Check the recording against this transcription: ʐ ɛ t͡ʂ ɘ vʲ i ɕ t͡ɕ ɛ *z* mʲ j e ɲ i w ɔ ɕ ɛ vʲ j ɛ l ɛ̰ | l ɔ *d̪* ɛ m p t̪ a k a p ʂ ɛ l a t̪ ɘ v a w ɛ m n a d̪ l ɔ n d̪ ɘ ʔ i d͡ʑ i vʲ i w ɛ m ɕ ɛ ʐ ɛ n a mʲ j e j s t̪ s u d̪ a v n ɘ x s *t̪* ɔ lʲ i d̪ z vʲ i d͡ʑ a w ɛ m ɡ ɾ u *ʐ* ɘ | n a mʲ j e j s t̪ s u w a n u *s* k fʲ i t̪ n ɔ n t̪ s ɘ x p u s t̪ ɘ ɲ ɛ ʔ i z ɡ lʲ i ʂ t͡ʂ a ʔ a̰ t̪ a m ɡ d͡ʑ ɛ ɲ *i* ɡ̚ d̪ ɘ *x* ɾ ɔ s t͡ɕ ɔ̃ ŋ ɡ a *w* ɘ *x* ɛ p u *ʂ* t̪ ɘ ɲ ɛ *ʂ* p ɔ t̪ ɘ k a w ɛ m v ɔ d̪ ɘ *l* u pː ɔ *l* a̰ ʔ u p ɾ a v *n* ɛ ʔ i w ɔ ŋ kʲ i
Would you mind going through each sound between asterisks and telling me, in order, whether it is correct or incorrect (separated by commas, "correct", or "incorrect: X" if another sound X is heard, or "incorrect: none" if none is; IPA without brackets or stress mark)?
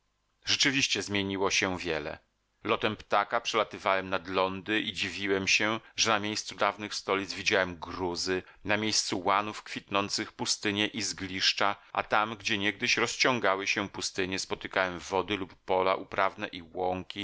correct, incorrect: t̪, correct, incorrect: z, incorrect: f, incorrect: ɛ, incorrect: ɕ, correct, incorrect: ɕ, incorrect: s, incorrect: s, correct, correct, correct